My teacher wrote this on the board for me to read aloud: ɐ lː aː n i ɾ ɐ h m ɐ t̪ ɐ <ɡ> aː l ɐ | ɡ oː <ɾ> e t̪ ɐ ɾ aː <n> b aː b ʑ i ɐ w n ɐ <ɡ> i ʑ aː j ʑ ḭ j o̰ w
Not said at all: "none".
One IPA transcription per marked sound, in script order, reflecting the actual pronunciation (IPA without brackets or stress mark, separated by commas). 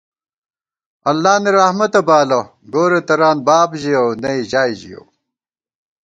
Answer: b, ɾ, n, none